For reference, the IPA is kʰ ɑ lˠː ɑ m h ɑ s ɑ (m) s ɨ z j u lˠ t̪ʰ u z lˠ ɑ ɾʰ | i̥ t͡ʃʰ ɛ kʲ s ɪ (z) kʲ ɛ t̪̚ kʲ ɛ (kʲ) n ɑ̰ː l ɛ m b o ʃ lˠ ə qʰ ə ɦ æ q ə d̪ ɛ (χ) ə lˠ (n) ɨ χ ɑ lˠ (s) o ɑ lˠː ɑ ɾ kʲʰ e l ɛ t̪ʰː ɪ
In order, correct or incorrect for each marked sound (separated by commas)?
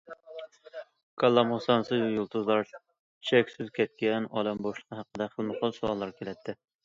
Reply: incorrect, correct, incorrect, correct, incorrect, correct